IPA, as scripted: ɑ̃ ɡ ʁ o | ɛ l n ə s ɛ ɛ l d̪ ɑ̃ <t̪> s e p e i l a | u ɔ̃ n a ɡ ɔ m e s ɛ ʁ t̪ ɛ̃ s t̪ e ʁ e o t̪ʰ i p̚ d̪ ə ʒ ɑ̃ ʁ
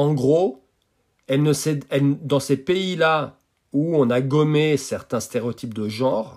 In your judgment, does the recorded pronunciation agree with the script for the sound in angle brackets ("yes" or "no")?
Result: no